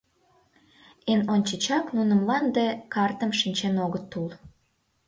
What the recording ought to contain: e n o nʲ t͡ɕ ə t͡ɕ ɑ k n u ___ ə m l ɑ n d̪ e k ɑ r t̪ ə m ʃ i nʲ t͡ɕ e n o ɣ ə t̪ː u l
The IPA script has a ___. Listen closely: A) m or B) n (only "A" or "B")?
B